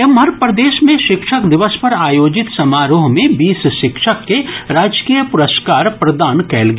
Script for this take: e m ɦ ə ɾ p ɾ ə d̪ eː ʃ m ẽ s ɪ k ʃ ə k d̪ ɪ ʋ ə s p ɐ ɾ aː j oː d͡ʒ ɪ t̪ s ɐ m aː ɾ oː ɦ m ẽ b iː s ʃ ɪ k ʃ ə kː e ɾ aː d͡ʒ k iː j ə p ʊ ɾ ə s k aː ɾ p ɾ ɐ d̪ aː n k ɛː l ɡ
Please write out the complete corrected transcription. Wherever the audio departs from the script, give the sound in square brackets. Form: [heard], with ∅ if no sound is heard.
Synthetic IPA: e m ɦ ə ɾ p ɾ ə d̪ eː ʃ m ẽ [ʃ] ɪ k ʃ ə k d̪ ɪ ʋ ə s p ɐ ɾ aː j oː d͡ʒ ɪ t̪ s ɐ m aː ɾ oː ɦ m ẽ b iː s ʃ ɪ k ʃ ə kː e ɾ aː d͡ʒ k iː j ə p ʊ ɾ ə s k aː ɾ p ɾ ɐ d̪ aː n k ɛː l ɡ